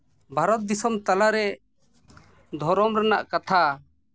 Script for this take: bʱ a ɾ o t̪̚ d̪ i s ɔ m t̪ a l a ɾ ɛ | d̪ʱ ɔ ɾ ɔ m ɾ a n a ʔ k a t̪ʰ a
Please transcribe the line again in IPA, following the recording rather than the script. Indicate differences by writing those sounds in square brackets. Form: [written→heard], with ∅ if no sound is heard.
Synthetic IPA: bʱ a ɾ [o→ɔ] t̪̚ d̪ i s ɔ m t̪ a l a ɾ ɛ | d̪ʱ ɔ ɾ ɔ m ɾ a n a ʔ k a t̪ʰ a